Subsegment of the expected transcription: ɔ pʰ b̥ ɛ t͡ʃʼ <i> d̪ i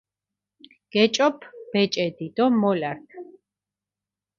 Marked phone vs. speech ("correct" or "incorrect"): incorrect